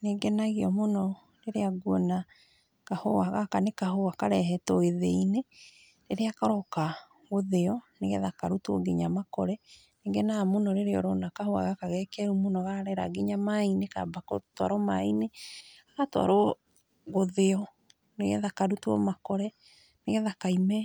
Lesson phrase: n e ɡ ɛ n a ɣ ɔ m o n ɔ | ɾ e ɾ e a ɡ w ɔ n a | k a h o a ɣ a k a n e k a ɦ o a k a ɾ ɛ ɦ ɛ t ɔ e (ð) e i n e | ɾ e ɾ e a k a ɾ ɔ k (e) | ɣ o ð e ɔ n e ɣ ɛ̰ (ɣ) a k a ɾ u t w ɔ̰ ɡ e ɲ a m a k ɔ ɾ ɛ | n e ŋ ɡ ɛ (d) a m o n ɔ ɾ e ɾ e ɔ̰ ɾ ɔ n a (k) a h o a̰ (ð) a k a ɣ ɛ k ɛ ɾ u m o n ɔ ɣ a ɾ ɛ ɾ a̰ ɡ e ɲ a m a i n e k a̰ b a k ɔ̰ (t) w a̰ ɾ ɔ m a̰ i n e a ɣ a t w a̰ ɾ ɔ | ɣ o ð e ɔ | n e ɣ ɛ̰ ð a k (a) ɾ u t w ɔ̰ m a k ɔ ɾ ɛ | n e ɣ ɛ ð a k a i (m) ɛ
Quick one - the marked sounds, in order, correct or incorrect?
correct, incorrect: a, incorrect: ð, incorrect: n, correct, incorrect: ɣ, correct, correct, correct

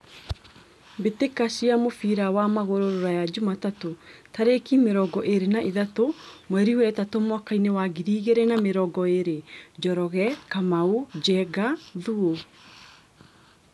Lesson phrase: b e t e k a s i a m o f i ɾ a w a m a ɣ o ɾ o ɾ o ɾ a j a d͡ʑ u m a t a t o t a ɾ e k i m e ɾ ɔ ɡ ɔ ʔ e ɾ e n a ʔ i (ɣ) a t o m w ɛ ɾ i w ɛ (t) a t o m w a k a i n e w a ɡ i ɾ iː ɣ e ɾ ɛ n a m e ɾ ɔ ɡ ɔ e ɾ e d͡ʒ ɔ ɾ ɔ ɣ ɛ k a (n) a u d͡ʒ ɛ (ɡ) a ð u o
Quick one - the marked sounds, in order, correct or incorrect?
incorrect: ð, correct, incorrect: m, correct

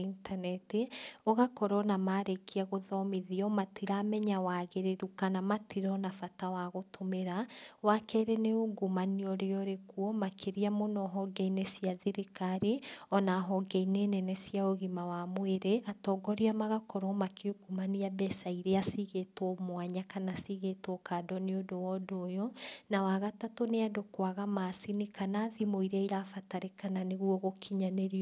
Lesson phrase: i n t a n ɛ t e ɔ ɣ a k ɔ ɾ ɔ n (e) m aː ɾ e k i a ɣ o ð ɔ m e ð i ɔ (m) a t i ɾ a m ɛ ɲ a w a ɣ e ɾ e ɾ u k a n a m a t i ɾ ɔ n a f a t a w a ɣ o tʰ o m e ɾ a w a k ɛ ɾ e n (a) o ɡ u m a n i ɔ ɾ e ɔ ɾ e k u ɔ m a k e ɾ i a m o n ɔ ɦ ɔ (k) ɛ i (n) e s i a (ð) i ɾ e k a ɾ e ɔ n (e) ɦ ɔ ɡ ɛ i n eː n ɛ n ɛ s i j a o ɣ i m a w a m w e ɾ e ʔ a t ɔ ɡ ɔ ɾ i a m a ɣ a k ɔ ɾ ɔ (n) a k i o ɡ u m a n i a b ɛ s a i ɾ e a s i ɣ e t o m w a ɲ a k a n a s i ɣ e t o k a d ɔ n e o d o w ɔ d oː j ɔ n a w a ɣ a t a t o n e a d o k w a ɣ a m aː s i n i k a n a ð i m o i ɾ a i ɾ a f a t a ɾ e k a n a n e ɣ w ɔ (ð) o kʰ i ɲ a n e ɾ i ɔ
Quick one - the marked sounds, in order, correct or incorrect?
incorrect: a, correct, incorrect: e, incorrect: ɡ, correct, correct, incorrect: a, incorrect: m, incorrect: ɣ

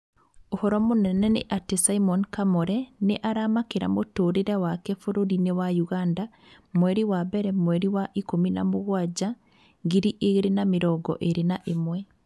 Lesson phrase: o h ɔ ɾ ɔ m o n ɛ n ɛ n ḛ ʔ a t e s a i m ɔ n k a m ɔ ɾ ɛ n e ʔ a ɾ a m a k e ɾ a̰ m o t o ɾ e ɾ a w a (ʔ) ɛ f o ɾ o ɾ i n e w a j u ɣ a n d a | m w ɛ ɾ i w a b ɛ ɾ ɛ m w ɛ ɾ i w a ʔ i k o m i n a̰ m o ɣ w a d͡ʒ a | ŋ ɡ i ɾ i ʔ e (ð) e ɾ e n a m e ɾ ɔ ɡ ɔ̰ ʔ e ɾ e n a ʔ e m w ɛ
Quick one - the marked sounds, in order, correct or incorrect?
incorrect: k, incorrect: ɣ

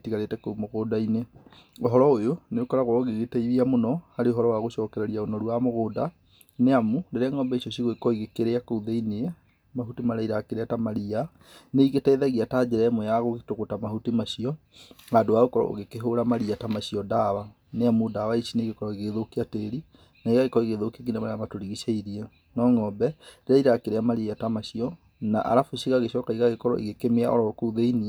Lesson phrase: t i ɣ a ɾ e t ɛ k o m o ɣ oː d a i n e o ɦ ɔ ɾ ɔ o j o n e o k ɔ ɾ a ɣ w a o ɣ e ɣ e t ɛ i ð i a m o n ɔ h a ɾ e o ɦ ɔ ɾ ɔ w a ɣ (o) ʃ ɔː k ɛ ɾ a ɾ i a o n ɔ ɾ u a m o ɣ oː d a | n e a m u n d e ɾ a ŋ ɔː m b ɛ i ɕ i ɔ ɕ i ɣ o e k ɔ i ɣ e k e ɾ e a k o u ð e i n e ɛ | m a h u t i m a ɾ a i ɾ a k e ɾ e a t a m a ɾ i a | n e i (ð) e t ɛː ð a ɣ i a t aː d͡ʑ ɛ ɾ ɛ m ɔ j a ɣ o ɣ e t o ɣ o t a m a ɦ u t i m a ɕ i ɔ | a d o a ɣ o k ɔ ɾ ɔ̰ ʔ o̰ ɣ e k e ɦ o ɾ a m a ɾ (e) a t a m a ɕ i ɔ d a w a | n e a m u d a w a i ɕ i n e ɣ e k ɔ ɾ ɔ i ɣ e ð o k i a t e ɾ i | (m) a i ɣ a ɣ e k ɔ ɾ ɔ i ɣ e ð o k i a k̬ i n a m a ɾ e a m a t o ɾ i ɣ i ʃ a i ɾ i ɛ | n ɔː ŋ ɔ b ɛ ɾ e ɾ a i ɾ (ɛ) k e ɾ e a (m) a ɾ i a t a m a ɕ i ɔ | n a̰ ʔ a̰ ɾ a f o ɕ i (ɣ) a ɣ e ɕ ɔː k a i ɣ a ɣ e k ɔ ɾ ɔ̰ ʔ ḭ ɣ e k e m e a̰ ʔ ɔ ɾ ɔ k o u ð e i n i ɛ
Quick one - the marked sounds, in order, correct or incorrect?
correct, incorrect: ɣ, incorrect: i, incorrect: n, incorrect: a, correct, correct

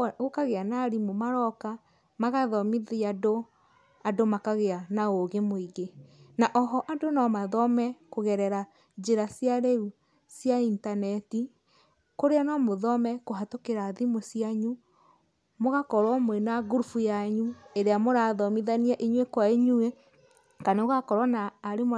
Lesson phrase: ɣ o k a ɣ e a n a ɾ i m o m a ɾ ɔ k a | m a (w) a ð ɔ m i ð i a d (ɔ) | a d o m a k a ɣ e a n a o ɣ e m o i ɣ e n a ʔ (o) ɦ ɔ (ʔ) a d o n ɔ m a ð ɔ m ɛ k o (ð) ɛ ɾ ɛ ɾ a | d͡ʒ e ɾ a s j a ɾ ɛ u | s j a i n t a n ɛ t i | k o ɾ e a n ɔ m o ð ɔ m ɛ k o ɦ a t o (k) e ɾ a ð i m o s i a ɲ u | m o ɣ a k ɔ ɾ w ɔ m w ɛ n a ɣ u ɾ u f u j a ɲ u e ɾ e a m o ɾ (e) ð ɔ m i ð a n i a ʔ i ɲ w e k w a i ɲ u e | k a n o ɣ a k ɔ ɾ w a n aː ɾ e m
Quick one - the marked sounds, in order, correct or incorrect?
incorrect: ɣ, incorrect: o, incorrect: ɔ, correct, incorrect: ɣ, correct, incorrect: a

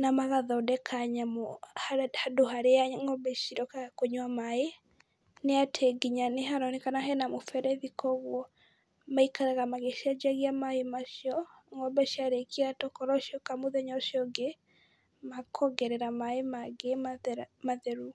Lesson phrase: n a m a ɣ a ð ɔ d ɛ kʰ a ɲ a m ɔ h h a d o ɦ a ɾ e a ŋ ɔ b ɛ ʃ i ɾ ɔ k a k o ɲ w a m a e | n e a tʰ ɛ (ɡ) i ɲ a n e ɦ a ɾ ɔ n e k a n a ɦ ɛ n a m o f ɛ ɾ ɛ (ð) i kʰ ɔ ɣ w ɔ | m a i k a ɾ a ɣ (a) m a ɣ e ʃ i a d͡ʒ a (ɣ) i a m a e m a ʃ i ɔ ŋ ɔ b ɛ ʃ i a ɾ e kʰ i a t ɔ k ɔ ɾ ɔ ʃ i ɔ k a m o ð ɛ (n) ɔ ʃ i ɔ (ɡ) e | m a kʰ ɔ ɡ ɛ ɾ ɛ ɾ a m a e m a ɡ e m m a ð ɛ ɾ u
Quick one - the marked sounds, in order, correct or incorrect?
correct, correct, correct, correct, incorrect: ɲ, correct

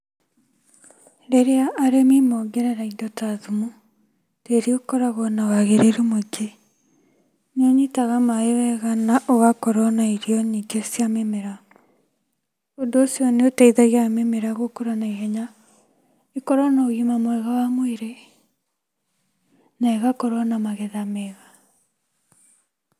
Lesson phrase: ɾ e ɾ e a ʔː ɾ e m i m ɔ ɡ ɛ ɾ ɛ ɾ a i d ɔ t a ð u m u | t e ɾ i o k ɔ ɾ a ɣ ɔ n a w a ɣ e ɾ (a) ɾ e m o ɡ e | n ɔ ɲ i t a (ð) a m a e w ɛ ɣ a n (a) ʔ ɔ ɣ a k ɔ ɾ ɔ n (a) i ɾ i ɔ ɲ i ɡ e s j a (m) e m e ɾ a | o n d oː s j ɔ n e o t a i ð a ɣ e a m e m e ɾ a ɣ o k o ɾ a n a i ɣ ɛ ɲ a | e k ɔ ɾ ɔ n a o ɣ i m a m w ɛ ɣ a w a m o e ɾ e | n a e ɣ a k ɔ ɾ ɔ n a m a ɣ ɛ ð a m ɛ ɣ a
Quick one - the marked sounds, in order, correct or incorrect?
incorrect: e, incorrect: ɣ, correct, correct, correct

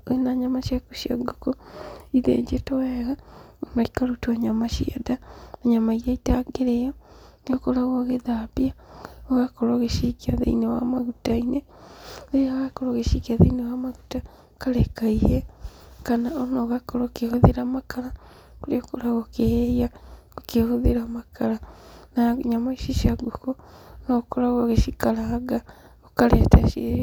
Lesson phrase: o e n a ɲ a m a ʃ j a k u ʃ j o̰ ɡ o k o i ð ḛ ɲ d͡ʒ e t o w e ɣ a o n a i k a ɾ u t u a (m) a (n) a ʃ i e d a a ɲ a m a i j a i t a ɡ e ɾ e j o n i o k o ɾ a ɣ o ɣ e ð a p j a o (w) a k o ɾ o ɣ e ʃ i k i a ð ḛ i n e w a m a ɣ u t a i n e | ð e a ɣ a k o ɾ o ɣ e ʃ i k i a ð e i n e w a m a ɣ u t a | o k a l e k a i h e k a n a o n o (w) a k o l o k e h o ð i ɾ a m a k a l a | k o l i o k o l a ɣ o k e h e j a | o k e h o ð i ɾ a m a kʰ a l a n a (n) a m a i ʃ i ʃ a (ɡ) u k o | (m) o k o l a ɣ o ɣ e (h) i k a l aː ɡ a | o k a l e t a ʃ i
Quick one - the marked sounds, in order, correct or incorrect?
incorrect: ɲ, incorrect: m, incorrect: ɣ, incorrect: ɣ, incorrect: ɲ, correct, incorrect: n, incorrect: ʃ

